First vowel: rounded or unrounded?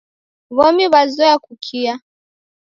rounded